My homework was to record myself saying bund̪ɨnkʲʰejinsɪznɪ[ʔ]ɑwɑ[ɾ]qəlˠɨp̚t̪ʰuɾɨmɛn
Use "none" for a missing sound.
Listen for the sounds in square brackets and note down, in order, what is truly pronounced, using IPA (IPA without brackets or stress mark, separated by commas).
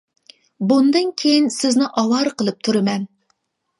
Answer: ʔ, ɾ